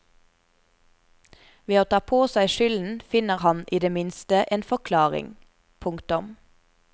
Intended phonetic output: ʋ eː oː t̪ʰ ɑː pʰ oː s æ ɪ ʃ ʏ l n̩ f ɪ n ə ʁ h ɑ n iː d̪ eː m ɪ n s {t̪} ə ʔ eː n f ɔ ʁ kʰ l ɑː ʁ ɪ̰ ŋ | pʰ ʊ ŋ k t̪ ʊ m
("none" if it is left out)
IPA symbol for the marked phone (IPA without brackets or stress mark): t̪